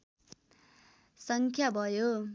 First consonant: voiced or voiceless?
voiceless